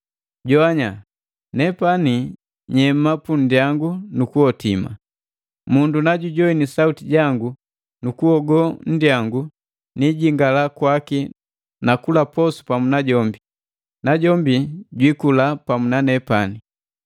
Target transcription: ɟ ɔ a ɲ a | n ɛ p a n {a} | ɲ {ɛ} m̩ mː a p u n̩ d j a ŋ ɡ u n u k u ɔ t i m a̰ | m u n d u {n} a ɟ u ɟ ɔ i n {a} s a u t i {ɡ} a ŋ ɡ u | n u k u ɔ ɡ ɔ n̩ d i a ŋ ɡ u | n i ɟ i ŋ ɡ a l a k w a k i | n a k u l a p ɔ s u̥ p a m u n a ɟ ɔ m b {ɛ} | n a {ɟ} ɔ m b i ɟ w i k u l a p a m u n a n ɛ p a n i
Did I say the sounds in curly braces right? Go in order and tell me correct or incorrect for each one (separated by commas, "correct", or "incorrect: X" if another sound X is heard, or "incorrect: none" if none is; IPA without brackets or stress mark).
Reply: incorrect: i, correct, correct, incorrect: i, incorrect: ɟ, incorrect: i, correct